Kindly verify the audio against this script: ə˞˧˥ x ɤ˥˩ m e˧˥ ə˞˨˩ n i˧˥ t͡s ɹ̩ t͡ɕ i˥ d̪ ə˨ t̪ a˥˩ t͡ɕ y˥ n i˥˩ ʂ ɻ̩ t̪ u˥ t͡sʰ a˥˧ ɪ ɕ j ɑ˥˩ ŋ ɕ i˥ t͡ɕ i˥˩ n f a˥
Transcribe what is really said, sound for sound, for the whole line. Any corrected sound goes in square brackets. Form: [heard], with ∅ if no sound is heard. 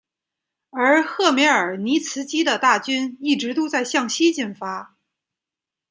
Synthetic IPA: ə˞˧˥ x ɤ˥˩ m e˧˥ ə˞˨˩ n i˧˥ [t͡sʰ] ɹ̩ t͡ɕ i˥ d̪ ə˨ t̪ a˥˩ t͡ɕ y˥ n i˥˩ [ʈ͡ʂ] ɻ̩ t̪ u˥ [t͡s] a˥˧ ɪ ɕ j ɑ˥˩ ŋ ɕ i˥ t͡ɕ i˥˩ n f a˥